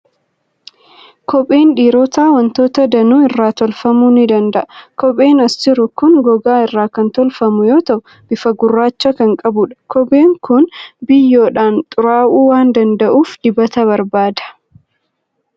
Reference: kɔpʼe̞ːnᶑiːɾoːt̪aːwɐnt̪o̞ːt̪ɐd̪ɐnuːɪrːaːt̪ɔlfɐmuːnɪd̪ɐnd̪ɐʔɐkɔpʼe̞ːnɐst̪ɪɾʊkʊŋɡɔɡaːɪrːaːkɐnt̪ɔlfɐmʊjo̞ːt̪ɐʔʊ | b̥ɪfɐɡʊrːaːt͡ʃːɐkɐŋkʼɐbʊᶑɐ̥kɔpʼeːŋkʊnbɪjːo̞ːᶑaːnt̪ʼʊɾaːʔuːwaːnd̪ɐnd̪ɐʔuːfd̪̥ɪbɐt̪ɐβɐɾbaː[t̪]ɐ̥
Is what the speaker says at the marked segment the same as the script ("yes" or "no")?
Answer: no